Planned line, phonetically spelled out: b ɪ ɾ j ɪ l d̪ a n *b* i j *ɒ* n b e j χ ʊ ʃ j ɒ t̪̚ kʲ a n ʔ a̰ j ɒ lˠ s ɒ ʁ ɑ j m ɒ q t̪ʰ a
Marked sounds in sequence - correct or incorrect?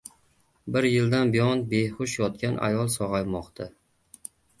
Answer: correct, correct

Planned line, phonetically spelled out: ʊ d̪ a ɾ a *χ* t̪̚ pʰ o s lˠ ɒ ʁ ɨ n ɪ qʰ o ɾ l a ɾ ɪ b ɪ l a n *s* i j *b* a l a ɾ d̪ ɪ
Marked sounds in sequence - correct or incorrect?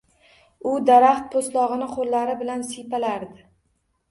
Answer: correct, correct, incorrect

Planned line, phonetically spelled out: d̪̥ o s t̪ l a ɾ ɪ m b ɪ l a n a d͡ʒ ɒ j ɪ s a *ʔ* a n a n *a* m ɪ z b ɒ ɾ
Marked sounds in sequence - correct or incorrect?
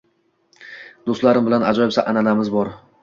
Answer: correct, correct

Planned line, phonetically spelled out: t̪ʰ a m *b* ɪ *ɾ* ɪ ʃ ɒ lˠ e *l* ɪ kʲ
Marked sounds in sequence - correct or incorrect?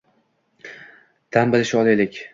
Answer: correct, incorrect, correct

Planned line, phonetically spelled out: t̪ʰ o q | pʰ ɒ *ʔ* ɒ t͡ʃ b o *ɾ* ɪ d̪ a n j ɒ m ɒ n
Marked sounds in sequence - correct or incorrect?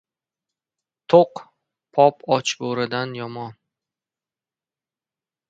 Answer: incorrect, correct

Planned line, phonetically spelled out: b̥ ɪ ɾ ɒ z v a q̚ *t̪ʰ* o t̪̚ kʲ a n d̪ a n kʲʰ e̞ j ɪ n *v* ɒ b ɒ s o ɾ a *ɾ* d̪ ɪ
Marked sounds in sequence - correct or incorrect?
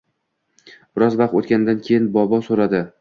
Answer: incorrect, incorrect, incorrect

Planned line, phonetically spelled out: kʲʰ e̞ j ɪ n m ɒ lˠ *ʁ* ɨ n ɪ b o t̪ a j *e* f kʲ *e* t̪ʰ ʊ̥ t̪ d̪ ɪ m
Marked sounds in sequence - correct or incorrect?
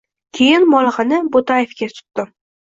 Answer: correct, correct, incorrect

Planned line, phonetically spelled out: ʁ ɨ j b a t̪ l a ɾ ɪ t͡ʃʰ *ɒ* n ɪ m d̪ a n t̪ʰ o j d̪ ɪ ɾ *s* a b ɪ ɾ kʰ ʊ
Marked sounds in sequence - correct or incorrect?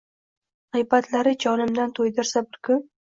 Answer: correct, correct

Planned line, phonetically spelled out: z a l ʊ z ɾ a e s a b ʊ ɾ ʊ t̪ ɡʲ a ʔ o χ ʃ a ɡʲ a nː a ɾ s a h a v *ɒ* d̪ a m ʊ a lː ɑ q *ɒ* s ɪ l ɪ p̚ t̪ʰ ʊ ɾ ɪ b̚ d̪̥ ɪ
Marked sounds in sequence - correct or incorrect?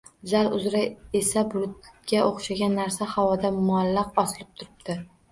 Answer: correct, correct

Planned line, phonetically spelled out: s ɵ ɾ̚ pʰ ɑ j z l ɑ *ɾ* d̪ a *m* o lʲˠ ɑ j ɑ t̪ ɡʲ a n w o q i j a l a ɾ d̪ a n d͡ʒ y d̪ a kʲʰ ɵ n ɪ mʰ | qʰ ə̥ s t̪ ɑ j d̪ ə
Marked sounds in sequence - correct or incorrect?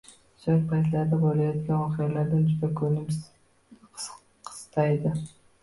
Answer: correct, incorrect

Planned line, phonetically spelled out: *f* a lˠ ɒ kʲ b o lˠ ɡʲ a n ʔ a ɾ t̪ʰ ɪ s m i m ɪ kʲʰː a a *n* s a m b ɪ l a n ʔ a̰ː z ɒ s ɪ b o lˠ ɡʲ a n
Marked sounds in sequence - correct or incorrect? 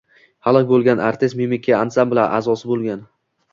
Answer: incorrect, correct

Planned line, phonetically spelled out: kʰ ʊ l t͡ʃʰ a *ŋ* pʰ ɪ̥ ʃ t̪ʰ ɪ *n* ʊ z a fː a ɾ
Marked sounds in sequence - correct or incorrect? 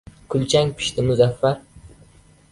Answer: correct, incorrect

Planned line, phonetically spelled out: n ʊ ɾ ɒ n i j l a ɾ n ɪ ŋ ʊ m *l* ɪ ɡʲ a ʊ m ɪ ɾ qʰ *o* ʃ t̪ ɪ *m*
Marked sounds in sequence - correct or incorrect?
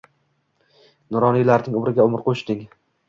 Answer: incorrect, correct, incorrect

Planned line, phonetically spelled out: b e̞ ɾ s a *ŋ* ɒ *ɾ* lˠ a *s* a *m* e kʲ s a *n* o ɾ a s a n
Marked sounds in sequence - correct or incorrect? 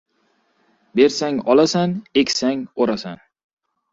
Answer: correct, incorrect, correct, incorrect, incorrect

